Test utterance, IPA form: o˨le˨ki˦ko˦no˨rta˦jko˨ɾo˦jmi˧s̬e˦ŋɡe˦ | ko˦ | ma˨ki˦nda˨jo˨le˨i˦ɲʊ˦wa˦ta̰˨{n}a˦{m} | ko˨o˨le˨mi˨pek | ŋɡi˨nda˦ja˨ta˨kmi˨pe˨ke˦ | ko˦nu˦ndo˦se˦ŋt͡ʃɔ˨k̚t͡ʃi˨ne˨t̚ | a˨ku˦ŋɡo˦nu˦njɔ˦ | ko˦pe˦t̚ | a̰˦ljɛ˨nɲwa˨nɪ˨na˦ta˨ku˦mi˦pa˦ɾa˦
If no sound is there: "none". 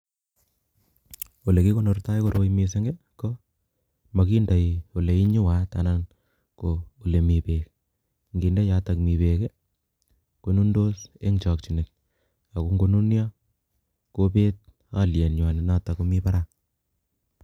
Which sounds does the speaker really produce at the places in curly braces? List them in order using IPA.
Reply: n, n

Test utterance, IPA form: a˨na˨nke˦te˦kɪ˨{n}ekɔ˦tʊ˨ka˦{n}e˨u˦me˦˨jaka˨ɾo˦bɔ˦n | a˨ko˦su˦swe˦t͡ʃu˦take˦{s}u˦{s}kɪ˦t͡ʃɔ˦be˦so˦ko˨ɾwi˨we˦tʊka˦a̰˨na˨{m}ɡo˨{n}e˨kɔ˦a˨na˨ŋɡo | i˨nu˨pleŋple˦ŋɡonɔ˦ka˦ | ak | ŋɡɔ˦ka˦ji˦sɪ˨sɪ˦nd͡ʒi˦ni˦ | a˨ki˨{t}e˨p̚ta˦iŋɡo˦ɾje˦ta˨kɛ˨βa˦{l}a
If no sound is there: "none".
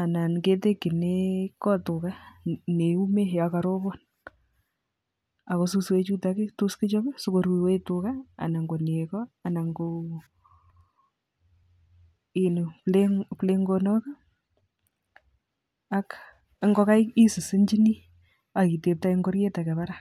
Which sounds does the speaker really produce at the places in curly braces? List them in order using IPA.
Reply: n, n, t, s, ŋ, n, t, ɾ

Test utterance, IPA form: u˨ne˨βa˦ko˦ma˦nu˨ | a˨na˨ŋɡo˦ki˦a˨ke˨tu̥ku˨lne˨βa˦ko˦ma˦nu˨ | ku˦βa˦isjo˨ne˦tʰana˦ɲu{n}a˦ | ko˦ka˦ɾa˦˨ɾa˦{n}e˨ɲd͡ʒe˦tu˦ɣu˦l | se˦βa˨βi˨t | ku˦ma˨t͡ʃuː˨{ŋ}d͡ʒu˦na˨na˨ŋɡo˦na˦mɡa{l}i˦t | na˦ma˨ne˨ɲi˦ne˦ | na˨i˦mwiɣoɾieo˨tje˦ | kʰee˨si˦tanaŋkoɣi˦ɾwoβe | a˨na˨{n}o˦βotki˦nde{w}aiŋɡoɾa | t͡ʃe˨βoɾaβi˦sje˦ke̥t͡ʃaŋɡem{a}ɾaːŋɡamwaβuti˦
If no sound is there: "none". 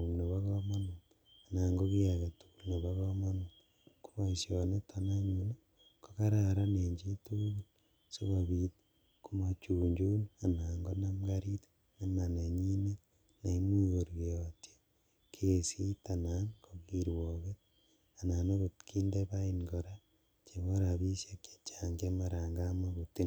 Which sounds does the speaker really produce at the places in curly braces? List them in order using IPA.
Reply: n, n, ɲ, ɾ, n, β, a

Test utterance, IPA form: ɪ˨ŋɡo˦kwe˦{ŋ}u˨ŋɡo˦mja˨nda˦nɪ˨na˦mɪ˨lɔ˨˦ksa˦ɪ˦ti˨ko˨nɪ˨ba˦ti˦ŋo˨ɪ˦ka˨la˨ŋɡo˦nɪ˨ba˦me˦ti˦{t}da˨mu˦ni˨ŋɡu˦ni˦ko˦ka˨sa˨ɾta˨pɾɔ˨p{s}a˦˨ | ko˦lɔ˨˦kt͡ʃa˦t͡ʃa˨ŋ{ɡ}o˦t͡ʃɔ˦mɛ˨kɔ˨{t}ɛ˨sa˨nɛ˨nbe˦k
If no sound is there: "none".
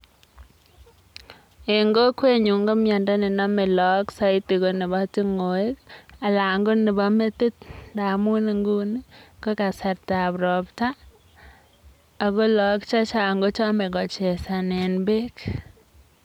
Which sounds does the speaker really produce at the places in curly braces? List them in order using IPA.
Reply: ɲ, t, t, ɡ, t͡ʃ

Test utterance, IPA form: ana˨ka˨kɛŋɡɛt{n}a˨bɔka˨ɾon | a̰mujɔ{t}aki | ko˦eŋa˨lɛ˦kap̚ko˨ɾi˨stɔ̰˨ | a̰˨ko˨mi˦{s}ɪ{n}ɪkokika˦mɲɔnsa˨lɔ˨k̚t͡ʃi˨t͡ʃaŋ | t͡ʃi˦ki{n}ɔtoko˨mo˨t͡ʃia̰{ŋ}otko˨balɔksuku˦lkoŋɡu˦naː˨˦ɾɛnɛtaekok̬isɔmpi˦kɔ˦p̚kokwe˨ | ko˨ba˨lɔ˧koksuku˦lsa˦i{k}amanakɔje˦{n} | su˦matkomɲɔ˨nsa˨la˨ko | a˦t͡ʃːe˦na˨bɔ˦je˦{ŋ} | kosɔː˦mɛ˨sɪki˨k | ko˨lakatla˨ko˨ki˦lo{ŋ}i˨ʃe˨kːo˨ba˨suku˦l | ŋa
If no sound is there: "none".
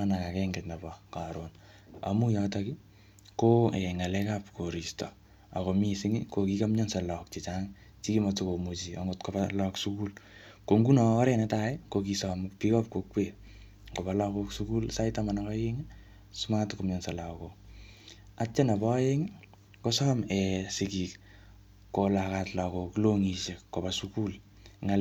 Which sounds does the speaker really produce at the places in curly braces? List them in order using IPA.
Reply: n, t, s, ŋ, m, ŋ, t, ŋ, ŋ, ŋ

